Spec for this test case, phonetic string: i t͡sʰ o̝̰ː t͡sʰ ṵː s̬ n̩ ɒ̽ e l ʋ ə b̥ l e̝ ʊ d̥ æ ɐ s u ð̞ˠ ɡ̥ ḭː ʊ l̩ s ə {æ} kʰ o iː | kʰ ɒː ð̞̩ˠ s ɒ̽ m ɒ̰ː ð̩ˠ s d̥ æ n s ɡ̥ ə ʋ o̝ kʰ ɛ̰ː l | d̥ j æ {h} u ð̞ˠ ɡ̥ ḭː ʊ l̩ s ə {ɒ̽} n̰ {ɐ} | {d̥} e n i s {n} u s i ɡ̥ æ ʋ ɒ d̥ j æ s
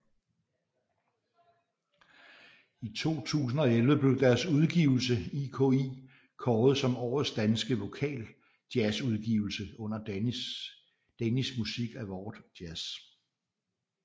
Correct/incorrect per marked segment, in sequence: incorrect, incorrect, incorrect, correct, correct, incorrect

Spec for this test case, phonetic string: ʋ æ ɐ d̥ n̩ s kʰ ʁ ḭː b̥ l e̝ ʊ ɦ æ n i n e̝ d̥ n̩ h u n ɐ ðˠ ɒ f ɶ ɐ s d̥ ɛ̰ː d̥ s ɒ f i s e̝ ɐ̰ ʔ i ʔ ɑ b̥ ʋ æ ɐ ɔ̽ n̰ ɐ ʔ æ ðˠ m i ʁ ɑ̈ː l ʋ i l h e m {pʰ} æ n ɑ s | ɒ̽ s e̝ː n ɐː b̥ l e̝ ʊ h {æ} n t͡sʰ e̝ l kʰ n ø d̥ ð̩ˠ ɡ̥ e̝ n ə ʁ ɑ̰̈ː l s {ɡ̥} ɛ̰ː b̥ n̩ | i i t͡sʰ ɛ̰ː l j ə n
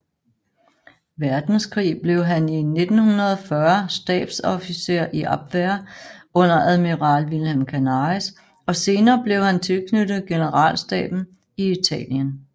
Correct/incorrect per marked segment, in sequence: incorrect, correct, incorrect

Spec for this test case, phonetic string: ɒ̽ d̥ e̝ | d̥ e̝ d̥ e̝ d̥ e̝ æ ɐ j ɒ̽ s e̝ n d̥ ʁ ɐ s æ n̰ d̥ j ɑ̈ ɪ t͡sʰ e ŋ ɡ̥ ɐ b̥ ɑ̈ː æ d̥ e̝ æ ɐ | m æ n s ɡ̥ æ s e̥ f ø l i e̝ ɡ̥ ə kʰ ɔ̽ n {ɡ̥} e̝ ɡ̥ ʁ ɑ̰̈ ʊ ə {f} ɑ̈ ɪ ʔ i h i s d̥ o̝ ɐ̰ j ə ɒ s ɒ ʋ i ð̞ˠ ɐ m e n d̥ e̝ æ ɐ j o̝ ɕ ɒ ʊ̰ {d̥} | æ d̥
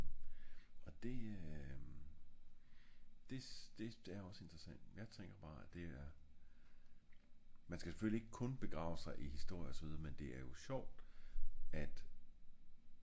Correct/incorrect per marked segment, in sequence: incorrect, incorrect, correct

